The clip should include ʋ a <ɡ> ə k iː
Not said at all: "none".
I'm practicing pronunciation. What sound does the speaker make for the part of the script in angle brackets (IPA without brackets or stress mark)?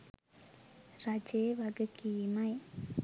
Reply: ɡ